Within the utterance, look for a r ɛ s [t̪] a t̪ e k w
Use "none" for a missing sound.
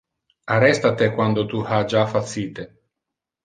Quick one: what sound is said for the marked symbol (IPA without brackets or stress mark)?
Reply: t̪